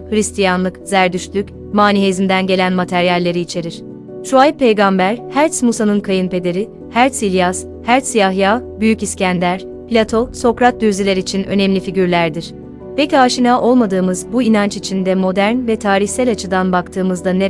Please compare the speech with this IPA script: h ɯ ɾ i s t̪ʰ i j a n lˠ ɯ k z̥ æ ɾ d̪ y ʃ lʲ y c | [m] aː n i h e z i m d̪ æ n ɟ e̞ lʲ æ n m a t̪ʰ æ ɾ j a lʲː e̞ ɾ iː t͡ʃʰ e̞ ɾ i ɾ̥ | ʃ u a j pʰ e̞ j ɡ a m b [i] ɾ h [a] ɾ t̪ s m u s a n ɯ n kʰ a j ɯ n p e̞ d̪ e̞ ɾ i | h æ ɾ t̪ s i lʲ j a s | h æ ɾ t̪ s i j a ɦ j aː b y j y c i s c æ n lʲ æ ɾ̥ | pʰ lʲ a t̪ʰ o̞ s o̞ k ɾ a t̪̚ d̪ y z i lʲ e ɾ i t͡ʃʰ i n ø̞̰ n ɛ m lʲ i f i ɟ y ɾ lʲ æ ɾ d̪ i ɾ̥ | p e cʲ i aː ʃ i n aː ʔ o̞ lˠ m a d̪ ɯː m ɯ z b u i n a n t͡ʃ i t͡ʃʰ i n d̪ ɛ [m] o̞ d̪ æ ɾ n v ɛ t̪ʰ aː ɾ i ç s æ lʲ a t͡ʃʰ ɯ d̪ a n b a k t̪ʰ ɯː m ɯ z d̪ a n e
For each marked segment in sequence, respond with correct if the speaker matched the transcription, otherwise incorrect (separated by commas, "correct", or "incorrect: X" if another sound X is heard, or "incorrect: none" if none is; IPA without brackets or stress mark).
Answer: correct, incorrect: æ, incorrect: æ, correct